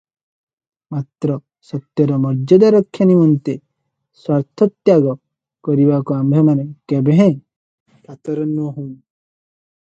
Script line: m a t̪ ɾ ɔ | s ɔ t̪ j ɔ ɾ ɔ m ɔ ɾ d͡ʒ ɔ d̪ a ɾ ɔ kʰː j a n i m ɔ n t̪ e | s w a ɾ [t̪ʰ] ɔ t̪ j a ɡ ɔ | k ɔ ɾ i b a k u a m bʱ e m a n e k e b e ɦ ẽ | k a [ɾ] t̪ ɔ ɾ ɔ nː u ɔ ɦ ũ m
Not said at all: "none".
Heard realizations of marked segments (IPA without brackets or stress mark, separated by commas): t̪ʰ, none